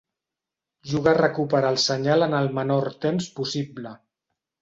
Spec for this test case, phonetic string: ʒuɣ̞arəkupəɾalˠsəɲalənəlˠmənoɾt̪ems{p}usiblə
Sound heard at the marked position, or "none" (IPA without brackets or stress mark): p